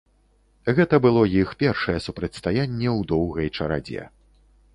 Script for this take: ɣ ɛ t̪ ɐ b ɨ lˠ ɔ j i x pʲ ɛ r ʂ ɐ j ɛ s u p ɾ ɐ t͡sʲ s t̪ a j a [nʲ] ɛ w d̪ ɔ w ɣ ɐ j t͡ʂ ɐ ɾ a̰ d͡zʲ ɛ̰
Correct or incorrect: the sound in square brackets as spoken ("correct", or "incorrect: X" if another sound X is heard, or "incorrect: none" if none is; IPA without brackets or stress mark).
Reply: incorrect: nʲː